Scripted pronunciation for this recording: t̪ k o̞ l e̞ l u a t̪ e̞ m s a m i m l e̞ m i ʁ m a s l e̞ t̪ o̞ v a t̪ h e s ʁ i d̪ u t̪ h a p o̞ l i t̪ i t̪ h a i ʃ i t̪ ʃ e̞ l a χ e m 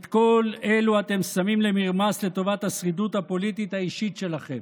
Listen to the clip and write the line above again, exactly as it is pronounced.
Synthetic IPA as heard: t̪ k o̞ l e̞ l u a t̪ e̞ m s a m i m l e̞ m i ʁ m a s l e̞ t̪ o̞ v a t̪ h a s ʁ i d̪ u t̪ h a p o̞ l i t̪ i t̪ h a i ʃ i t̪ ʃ e̞ l a χ e m